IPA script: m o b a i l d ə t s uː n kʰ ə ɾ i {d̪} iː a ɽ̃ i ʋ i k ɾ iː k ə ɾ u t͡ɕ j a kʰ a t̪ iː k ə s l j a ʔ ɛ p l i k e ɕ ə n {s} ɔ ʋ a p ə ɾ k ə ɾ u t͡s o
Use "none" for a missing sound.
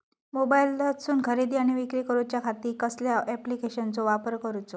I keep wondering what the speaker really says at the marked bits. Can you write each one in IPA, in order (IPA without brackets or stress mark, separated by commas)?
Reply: d̪, t͡s